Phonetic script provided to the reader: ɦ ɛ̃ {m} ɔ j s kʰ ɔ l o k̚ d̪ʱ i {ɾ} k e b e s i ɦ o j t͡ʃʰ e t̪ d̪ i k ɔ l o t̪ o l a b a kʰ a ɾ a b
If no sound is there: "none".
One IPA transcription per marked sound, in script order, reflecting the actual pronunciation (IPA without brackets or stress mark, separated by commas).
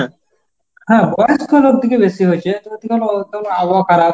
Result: b, none